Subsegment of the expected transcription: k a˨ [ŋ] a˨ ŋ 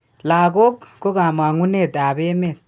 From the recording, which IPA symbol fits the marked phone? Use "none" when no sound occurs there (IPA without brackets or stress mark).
m